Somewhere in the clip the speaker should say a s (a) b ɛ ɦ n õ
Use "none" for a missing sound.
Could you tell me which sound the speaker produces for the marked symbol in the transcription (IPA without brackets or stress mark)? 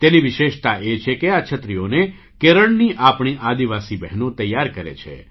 i